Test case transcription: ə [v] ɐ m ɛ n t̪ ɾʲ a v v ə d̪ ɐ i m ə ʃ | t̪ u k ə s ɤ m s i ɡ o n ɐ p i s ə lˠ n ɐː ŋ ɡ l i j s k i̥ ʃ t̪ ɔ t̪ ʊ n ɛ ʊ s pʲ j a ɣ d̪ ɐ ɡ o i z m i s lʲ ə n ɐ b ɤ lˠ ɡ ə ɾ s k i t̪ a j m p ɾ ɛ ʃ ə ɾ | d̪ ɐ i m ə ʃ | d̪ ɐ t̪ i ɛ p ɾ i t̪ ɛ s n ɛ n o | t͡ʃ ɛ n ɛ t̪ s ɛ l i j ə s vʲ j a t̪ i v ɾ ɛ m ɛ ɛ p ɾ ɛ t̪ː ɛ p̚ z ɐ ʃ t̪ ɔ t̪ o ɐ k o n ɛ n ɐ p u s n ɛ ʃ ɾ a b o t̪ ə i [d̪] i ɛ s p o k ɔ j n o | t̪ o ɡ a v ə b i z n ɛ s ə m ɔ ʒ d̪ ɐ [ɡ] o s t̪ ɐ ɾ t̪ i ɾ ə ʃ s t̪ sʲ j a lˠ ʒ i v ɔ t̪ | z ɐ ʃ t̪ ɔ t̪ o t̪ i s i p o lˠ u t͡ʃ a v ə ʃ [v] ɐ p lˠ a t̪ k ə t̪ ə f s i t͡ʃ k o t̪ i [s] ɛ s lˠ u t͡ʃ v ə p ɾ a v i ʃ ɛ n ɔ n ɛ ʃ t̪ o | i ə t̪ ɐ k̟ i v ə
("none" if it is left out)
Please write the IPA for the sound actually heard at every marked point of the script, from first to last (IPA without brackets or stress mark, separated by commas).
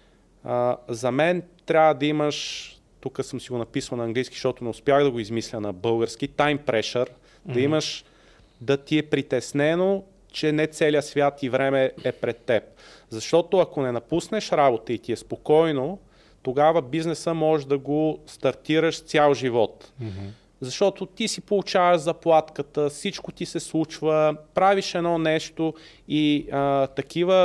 z, t̪, ɡ, z, s